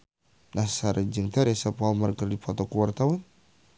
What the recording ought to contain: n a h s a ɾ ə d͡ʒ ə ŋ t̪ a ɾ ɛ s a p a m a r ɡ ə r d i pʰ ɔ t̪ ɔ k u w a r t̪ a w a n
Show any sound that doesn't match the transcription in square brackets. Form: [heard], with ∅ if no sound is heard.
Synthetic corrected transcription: n a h s a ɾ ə d͡ʒ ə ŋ t̪ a ɾ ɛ s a p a m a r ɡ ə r d i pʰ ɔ t̪ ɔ k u w a r t̪ a w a n